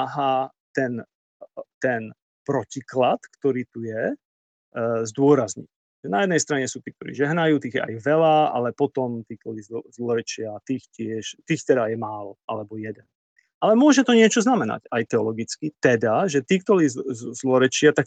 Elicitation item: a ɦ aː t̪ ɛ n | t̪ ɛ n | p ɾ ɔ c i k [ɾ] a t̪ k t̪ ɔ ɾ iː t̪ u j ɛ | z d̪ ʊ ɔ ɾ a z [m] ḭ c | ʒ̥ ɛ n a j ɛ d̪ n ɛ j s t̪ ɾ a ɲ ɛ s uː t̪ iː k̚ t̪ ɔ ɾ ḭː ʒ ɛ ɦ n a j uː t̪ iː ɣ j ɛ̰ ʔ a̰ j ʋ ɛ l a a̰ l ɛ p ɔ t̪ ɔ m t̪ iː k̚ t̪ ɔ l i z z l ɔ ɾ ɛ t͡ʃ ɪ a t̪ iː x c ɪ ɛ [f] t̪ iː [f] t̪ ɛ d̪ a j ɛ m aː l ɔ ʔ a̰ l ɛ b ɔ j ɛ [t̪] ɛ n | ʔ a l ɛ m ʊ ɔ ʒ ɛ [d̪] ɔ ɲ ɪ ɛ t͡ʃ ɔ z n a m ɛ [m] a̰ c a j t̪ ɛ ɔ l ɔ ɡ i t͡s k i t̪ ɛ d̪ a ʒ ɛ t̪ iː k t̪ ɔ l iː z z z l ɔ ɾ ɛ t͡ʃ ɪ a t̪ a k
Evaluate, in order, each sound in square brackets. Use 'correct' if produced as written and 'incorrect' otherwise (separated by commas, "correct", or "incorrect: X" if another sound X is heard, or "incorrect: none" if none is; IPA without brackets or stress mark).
incorrect: l, incorrect: ɲ, incorrect: ʃ, incorrect: x, incorrect: d̪, incorrect: t̪, incorrect: n